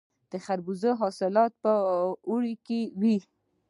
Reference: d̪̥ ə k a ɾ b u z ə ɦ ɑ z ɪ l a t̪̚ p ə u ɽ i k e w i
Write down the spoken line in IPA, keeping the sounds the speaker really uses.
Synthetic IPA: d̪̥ ə x a ɾ b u z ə ɦ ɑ s ɪ l ɑ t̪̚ p ə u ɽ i k e w i